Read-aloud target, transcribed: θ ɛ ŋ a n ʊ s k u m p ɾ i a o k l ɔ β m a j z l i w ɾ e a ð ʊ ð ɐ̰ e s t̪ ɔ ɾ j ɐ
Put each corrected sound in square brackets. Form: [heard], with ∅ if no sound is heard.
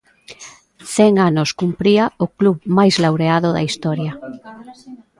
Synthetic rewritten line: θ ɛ ŋ a n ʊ s k u m p ɾ i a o k l [u] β m a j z l [a] w ɾ e a ð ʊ ð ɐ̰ [i] s t̪ ɔ ɾ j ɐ